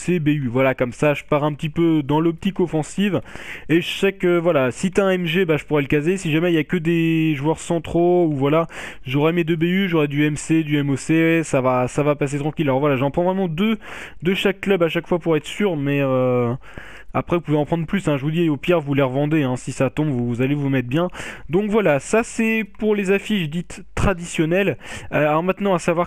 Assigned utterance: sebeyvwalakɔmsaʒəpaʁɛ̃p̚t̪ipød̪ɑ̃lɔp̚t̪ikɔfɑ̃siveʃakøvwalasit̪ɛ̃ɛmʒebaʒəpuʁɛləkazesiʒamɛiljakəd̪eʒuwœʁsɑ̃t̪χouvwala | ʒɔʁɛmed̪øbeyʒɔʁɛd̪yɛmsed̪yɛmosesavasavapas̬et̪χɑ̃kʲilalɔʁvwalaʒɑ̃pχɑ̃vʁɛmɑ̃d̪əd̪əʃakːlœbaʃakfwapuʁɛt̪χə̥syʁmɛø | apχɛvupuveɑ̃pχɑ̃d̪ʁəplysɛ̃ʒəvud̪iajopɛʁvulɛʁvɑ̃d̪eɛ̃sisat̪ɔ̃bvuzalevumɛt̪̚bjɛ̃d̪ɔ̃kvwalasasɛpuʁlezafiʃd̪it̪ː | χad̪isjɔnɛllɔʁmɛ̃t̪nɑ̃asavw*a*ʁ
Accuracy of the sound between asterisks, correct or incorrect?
correct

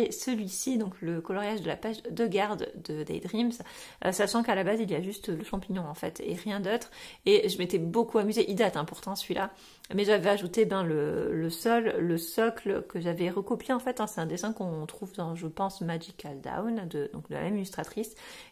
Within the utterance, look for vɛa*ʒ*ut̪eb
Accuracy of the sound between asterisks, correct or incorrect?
correct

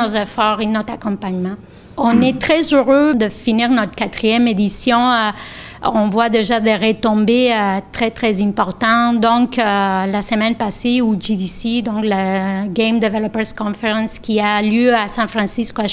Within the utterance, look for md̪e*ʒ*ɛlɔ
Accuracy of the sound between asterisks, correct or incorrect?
incorrect: v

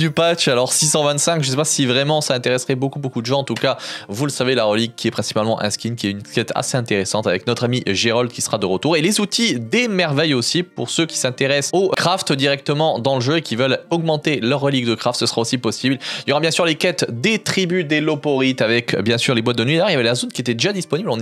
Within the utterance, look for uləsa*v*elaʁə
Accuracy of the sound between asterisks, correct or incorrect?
correct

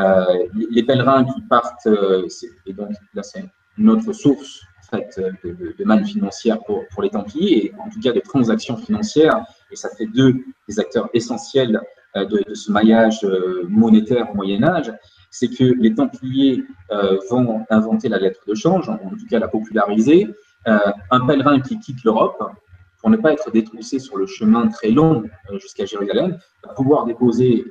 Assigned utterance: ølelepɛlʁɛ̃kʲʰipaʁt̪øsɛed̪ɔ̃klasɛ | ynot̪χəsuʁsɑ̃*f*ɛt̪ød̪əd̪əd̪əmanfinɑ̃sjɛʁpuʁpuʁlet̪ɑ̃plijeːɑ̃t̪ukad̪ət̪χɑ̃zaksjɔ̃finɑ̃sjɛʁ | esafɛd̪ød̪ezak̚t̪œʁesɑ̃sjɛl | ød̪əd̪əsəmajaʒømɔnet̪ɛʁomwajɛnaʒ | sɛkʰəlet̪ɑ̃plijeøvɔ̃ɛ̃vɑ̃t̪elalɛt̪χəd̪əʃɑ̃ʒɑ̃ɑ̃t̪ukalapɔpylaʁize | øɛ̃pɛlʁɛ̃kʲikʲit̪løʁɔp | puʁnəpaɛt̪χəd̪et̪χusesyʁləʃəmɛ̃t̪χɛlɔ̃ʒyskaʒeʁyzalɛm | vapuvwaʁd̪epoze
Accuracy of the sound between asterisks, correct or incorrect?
correct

